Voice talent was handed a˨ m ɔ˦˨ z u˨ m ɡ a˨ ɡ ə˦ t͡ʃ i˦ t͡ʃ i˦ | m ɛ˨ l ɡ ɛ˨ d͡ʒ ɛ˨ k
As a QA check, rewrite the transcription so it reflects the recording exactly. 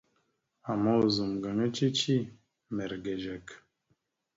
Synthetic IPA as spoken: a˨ m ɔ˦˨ z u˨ m ɡ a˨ ŋ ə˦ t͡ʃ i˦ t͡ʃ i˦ | m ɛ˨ ɾ ɡ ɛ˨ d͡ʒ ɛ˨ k